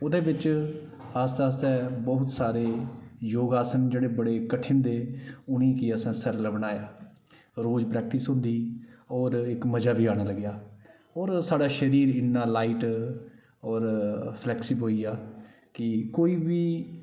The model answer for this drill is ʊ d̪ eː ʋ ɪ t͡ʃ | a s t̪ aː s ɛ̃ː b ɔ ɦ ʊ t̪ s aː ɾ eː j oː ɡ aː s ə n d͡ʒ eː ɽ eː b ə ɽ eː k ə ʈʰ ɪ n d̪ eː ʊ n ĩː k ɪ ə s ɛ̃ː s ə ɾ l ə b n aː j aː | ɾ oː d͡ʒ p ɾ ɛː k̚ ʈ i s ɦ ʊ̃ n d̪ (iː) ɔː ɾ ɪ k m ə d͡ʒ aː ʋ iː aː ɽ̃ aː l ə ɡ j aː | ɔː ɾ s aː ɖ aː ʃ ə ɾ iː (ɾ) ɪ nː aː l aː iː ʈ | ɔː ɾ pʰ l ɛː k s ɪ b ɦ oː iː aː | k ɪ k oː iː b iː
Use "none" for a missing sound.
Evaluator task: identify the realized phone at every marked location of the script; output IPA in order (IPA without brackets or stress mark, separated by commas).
iː, ɾ